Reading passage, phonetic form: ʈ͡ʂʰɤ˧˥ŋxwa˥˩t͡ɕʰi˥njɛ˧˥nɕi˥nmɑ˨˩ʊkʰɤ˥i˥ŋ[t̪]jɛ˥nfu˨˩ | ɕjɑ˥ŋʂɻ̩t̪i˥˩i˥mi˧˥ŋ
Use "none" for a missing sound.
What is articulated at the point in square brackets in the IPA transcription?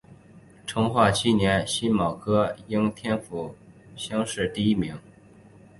t̪ʰ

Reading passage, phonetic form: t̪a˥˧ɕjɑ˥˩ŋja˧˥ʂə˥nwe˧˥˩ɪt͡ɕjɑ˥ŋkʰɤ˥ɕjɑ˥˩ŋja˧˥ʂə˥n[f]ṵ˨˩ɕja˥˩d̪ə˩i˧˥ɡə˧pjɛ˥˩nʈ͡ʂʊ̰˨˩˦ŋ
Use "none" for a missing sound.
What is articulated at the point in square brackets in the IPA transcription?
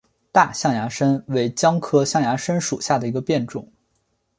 ʂ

